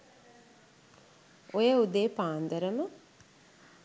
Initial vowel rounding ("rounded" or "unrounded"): rounded